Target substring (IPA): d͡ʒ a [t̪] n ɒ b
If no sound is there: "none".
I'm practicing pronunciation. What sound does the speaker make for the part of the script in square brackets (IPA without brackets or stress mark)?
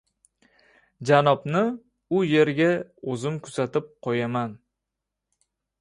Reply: none